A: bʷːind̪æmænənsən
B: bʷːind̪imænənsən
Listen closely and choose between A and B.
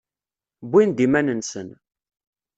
B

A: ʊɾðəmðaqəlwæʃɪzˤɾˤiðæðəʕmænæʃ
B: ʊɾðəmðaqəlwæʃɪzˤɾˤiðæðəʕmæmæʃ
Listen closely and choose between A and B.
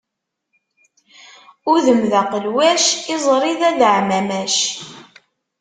B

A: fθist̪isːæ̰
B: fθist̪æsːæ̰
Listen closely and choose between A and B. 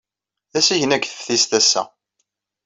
B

